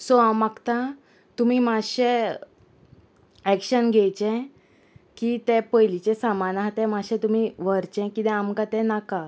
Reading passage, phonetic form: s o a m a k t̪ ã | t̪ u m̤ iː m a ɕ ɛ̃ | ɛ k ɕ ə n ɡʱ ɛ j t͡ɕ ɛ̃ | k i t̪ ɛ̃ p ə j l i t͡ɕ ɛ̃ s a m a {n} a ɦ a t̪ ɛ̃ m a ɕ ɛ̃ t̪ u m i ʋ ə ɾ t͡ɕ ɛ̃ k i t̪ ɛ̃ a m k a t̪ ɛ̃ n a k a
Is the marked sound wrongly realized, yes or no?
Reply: no